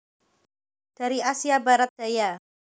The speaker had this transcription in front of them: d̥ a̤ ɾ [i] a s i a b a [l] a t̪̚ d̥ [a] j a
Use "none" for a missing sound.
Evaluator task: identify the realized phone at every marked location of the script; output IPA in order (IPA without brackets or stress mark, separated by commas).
i, ɾ, a